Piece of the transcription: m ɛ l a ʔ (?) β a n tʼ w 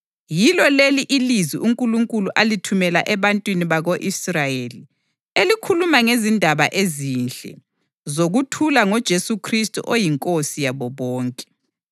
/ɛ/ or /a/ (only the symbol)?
ɛ